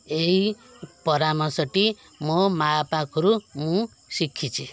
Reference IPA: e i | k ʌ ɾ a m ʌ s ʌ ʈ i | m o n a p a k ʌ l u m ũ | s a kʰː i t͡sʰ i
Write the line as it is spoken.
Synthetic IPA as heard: e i | p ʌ ɾ a m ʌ s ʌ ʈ i | m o m a p a k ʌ ɾ u m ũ | s i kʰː i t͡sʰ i